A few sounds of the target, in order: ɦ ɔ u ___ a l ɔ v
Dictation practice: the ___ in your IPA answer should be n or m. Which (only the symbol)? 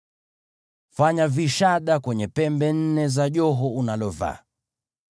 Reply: n